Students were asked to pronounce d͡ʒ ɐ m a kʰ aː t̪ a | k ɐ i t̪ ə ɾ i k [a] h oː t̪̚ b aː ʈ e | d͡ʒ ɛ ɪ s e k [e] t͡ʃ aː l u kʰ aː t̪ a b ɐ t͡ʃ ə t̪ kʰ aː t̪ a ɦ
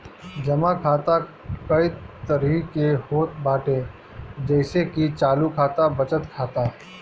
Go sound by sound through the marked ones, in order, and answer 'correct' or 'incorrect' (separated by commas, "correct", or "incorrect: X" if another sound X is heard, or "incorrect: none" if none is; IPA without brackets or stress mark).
incorrect: e, incorrect: i